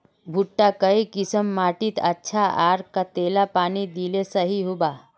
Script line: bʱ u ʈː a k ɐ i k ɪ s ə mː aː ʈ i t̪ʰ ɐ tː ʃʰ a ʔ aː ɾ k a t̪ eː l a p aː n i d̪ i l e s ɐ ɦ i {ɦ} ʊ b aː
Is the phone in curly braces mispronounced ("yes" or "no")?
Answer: no